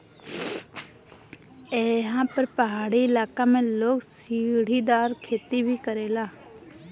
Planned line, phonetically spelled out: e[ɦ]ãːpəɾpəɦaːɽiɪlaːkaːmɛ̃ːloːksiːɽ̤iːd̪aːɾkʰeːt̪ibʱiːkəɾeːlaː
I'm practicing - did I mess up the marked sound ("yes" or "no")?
no